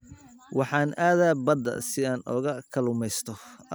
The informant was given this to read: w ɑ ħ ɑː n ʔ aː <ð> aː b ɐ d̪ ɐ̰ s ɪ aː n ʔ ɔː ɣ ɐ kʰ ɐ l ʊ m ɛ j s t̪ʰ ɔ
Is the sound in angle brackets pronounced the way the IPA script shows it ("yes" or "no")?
yes